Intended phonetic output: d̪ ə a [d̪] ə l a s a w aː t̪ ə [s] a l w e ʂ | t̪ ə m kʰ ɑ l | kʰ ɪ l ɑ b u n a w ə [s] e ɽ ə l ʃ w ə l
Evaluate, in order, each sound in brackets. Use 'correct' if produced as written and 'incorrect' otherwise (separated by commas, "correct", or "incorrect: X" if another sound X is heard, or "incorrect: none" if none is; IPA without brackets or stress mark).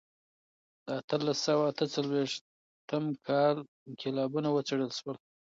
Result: incorrect: t̪, incorrect: t͡s, incorrect: t͡s